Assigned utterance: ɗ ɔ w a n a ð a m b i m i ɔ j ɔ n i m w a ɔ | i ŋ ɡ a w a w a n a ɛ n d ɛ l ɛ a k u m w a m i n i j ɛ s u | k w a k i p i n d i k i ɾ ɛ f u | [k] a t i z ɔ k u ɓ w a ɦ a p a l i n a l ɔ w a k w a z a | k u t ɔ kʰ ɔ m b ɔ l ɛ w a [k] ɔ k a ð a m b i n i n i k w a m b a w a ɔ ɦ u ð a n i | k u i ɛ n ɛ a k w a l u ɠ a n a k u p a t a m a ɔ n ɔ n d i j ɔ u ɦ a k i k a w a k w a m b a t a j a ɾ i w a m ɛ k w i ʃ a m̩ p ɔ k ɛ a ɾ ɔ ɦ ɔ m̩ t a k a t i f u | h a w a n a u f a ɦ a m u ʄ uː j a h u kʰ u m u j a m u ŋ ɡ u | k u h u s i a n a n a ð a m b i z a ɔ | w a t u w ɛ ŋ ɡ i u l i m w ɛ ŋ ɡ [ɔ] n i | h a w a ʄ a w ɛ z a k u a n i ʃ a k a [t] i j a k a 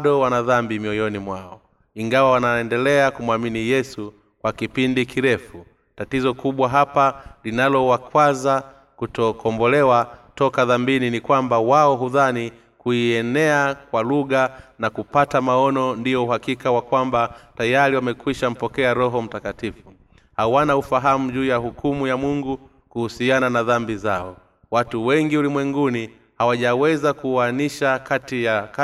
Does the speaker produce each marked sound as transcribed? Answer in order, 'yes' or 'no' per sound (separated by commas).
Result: no, no, no, yes